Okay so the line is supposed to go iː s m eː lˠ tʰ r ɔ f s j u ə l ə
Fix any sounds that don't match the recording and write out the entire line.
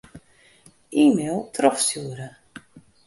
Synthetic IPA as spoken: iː m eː lˠ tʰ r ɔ f s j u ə ɾ ə